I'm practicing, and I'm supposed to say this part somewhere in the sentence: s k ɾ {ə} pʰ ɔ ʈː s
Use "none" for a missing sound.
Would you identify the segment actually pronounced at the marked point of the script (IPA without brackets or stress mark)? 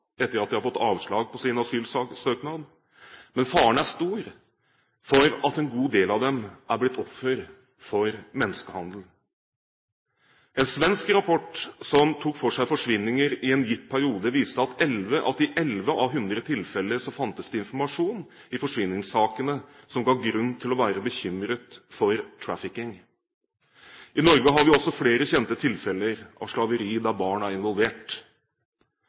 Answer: ɑ